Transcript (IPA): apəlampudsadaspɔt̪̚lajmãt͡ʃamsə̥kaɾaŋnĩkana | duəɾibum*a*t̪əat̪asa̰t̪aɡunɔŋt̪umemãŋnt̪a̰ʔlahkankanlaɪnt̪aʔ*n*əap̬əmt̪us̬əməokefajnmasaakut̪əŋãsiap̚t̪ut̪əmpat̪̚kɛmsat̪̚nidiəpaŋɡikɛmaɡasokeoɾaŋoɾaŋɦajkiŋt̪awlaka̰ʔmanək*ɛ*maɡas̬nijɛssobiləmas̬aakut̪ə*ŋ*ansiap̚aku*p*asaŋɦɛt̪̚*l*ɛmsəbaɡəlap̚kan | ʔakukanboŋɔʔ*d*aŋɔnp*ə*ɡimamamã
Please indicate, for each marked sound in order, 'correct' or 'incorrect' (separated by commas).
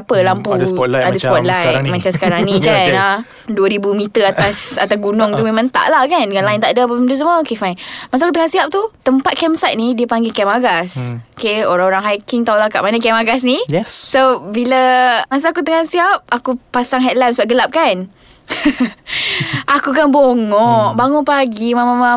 incorrect, incorrect, correct, correct, correct, correct, incorrect, incorrect